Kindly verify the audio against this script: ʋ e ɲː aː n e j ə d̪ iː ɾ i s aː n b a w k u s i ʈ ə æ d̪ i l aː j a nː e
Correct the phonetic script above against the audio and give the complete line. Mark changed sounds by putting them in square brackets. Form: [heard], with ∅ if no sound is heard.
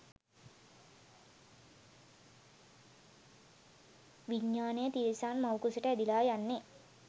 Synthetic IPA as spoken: ʋ [i] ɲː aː n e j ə [t̪] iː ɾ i s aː n [m] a w k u s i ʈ ə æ d̪ i l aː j a nː e